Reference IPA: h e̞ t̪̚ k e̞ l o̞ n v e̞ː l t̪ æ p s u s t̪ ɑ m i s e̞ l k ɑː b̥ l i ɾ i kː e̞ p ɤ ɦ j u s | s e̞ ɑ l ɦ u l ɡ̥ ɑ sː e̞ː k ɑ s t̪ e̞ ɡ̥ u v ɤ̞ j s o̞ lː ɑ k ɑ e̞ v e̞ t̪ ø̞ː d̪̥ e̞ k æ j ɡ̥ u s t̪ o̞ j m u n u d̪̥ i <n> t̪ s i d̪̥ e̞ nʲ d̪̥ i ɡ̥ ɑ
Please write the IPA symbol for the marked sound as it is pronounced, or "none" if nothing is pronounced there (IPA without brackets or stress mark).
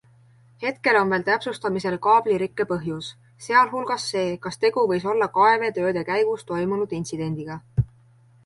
n